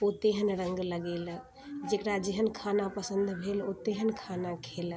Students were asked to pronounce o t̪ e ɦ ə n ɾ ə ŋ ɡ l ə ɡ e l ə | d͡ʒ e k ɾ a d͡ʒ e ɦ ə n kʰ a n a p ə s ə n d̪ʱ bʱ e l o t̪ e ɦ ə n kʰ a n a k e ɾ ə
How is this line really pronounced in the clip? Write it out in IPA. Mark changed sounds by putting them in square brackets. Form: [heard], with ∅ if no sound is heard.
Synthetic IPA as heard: o t̪ e ɦ ə n ɾ ə ŋ ɡ l ə ɡ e l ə | d͡ʒ e k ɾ a d͡ʒ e ɦ ə n kʰ a n a p ə s ə n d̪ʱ bʱ e l o t̪ e ɦ ə n kʰ a n a [kʰ] e [l] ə